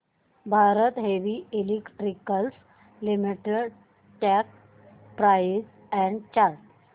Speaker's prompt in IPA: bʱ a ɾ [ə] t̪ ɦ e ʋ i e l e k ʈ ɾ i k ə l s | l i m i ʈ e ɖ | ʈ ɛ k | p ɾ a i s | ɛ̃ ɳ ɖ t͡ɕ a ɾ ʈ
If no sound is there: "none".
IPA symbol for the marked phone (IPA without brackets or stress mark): ə